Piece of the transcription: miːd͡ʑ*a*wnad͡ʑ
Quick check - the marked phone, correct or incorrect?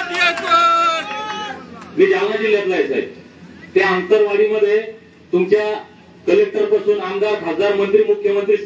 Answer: correct